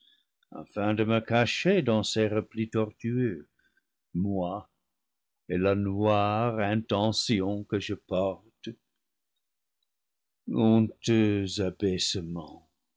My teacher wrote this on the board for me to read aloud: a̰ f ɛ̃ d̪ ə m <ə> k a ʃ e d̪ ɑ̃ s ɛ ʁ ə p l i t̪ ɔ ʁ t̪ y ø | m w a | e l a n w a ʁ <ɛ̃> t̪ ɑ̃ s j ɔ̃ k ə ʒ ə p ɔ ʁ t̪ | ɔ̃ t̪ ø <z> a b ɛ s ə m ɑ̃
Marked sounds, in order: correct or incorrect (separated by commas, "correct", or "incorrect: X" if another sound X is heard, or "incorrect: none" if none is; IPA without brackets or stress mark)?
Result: correct, correct, correct